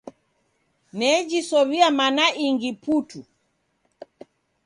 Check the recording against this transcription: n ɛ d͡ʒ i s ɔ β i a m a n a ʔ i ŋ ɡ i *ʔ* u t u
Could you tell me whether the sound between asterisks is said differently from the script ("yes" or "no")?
yes